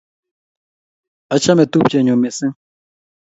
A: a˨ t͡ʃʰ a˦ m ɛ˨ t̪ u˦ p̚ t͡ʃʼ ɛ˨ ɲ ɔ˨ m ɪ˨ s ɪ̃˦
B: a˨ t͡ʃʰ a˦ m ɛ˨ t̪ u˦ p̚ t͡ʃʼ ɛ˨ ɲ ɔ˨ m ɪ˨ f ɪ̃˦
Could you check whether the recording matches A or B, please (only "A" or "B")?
A